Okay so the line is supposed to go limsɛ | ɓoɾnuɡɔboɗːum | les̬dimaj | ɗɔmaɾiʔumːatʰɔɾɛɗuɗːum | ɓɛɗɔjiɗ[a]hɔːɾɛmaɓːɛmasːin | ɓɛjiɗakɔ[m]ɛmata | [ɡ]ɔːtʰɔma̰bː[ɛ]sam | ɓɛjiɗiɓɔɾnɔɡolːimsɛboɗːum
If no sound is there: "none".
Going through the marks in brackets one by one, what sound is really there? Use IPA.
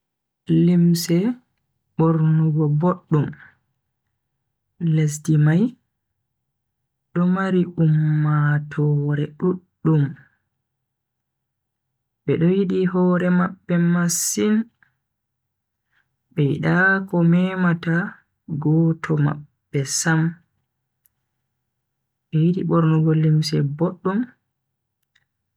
i, m, ɡ, ɛ

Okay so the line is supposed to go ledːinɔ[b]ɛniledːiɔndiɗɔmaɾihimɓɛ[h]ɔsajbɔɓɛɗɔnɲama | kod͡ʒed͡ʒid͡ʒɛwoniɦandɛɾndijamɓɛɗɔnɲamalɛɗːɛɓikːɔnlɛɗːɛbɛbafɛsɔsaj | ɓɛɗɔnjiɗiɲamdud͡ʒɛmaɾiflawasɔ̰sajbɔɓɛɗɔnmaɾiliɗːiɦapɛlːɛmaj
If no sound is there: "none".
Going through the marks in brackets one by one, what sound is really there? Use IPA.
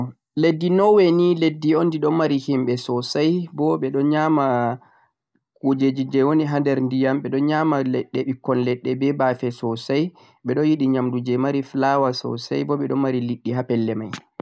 w, s

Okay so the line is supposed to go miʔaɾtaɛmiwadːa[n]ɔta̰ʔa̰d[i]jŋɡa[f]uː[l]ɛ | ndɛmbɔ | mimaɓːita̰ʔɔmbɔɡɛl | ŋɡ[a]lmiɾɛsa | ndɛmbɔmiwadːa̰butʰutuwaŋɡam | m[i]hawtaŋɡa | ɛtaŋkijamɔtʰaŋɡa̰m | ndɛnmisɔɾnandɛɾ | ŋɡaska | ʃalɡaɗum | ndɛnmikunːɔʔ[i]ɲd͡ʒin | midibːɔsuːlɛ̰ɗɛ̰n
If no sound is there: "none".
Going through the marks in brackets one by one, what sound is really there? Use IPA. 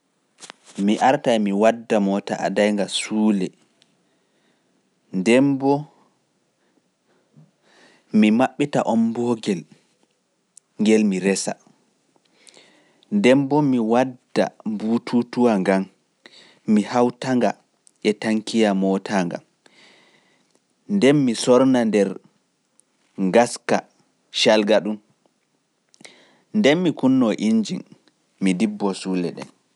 m, a, s, l, ɛ, i, i

